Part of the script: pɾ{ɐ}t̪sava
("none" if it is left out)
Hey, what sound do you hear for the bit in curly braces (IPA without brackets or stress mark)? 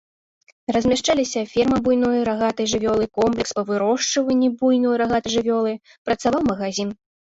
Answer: ɐ